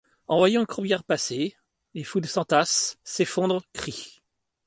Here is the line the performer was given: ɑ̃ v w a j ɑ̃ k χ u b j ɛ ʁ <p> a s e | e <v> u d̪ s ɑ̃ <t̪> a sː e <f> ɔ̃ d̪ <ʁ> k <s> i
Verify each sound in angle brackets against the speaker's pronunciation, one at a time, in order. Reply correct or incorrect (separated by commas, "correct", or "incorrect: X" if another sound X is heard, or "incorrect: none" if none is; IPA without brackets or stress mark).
correct, incorrect: f, correct, correct, correct, incorrect: χ